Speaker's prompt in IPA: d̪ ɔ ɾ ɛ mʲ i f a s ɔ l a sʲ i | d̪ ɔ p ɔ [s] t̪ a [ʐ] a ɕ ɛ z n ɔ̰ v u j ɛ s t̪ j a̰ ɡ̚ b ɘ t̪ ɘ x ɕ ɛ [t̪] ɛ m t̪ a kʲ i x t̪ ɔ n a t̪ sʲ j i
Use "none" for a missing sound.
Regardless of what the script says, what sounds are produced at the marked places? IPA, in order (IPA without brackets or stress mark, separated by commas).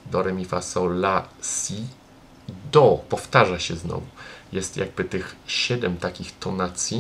f, ʐ, d̪